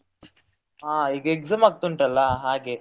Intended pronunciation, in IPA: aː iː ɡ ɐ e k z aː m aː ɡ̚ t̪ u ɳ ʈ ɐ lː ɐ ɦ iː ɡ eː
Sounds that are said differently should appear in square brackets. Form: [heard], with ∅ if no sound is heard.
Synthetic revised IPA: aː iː ɡ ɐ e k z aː m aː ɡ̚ t̪ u ɳ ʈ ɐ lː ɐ ɦ [aː] ɡ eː